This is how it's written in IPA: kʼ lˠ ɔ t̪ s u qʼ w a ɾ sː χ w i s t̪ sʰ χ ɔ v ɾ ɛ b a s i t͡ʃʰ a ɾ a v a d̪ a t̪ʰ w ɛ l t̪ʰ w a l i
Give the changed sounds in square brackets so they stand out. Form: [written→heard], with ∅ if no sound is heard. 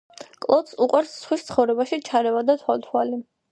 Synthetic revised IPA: kʼ lˠ ɔ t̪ s u qʼ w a ɾ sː χ w i s t̪ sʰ χ ɔ v ɾ ɛ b a [s→ʃ] i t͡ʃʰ a ɾ [a→ɛ] v a d̪ a t̪ʰ w [ɛ→a] l t̪ʰ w a l i